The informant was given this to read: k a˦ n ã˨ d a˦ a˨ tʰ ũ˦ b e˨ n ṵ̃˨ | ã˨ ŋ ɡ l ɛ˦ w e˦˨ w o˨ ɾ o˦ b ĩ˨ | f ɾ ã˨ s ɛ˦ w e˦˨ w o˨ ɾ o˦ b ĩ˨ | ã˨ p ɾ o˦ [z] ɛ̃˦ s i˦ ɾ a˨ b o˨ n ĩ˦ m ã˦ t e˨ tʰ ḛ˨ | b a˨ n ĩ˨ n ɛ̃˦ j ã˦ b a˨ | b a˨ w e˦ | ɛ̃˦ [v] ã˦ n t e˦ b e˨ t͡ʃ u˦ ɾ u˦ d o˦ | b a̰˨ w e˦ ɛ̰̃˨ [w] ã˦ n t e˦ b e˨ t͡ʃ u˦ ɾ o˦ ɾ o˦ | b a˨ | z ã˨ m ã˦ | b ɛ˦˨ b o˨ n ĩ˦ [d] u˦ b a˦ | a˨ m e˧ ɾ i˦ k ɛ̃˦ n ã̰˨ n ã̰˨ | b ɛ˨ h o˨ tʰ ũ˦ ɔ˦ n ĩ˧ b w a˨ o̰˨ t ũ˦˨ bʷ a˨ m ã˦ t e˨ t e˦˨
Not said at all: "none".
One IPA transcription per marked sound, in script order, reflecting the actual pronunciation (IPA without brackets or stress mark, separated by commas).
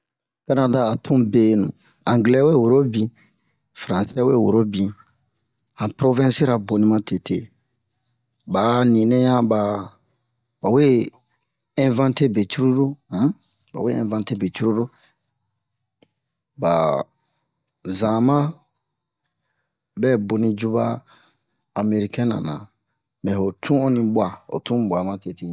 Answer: v, v, v, d͡ʒ